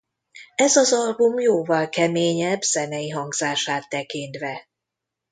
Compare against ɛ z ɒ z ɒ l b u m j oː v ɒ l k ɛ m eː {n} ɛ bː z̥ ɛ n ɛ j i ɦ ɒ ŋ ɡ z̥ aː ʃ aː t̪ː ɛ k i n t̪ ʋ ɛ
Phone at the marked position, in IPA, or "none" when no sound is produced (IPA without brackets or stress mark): ɲ